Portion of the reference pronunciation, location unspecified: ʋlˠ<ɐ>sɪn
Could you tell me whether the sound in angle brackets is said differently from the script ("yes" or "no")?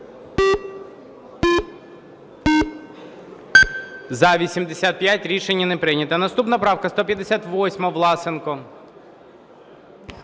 yes